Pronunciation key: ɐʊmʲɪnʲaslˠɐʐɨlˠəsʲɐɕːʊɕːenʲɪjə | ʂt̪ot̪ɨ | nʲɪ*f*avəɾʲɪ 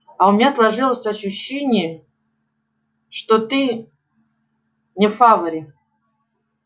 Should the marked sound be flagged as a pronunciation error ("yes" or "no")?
no